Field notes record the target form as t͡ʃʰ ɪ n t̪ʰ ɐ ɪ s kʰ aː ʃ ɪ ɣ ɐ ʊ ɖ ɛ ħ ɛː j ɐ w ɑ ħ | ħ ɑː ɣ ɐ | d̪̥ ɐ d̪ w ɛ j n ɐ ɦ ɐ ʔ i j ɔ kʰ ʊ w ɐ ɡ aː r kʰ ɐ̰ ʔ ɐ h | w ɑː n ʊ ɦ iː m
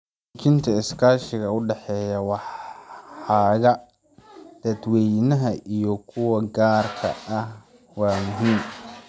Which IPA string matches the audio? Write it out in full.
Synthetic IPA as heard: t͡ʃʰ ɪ n t̪ʰ ɐ ɪ s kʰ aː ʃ ɪ ɣ ɐ ʊ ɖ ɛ ħ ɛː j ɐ w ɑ ħ | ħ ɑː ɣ ɐ | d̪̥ ɐ d̪ w ɛ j n ɐ ɦ ɐ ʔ i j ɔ kʰ ʊ w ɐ ɡ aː r kʰ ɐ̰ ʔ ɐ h | w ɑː m ʊ ɦ iː m